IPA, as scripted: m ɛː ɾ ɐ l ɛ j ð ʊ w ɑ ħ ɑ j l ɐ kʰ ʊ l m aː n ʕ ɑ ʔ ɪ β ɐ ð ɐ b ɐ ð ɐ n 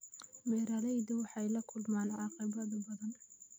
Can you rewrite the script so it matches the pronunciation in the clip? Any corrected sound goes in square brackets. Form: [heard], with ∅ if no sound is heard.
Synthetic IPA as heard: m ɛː ɾ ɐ l ɛ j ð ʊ w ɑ ħ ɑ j l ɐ kʰ ʊ l m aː n ʕ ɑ [q] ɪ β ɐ ð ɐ b ɐ ð ɐ n